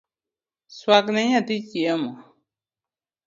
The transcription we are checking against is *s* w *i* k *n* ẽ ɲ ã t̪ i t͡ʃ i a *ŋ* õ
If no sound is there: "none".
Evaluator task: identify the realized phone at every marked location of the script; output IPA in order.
s, a, n, m

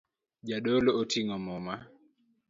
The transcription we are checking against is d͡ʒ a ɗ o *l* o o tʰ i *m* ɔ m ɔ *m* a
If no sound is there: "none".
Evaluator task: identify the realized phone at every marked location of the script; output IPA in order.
l, ŋ, m

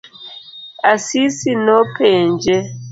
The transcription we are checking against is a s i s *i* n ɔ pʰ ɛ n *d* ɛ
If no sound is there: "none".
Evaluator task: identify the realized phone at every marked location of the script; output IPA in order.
i, d͡ʒ

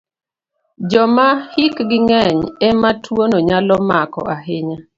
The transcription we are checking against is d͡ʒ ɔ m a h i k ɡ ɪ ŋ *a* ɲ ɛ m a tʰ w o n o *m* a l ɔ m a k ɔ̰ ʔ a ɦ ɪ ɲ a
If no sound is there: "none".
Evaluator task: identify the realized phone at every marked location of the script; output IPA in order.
ɛ, ɲ

